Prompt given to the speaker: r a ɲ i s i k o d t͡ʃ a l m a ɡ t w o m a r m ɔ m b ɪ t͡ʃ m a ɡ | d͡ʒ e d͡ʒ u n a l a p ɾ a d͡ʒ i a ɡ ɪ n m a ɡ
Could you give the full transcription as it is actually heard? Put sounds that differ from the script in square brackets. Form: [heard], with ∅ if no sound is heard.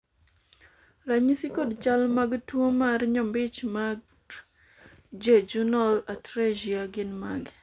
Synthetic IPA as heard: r a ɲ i s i k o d t͡ʃ a l m a ɡ t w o m a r [ɲ] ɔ m b ɪ t͡ʃ m a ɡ | d͡ʒ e d͡ʒ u n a l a [t] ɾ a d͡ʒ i a ɡ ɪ n m a ɡ